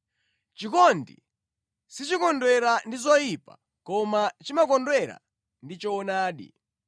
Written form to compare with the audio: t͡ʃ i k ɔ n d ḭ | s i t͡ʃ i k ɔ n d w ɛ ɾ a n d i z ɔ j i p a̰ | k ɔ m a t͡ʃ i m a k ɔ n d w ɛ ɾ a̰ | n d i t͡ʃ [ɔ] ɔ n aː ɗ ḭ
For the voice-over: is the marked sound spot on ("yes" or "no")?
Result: yes